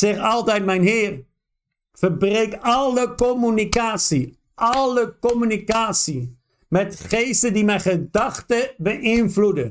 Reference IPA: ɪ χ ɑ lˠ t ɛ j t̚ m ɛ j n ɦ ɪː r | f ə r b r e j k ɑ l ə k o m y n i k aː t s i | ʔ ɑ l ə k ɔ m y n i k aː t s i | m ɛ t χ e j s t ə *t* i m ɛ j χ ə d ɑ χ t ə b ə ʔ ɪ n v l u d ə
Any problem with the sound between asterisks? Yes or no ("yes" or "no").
yes